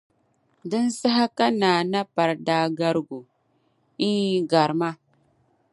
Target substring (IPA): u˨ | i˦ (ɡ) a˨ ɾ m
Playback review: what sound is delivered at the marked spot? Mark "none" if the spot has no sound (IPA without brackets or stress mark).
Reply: ɡ